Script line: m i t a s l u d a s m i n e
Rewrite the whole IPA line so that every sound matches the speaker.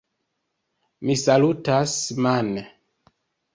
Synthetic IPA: m i s a l u t a s m a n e